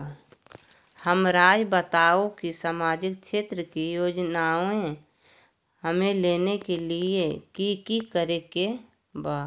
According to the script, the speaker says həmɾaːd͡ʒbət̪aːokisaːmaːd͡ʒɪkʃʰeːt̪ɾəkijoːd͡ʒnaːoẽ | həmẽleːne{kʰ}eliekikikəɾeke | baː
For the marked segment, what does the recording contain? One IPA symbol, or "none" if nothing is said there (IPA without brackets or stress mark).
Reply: k